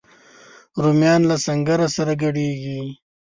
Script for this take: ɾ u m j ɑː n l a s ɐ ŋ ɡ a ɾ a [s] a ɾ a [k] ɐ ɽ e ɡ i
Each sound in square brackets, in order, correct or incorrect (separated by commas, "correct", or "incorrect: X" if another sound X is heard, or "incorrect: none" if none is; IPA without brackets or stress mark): correct, incorrect: ɡ